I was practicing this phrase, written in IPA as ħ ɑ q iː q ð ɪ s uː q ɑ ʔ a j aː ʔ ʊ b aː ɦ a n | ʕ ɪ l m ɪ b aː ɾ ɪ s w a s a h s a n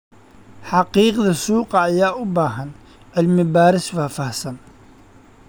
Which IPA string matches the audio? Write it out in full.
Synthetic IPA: ħ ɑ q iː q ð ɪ s uː q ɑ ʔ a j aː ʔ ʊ b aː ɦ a n | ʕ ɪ l m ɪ b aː ɾ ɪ s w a f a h s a n